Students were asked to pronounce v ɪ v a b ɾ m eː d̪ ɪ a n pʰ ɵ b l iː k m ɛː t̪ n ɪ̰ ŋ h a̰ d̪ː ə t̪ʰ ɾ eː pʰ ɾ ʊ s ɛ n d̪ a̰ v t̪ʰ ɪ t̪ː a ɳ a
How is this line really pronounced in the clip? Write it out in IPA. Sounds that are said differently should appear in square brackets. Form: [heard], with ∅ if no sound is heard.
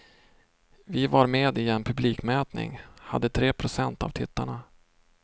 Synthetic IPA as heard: v ɪ v a [∅] ɾ m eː d̪ ɪ [ɛ] n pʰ ɵ b l iː k m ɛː t̪ n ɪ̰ ŋ h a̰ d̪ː ə t̪ʰ ɾ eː pʰ ɾ ʊ s ɛ n [t̪] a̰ v t̪ʰ ɪ t̪ː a ɳ a